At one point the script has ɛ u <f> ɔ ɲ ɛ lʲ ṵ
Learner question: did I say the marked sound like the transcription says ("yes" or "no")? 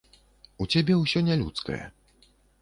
no